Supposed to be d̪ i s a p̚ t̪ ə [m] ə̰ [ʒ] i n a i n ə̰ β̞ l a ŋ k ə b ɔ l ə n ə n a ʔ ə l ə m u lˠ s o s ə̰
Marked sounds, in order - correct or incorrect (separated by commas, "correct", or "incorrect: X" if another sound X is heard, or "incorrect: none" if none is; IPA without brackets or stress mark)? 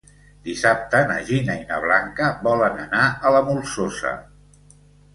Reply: incorrect: n, correct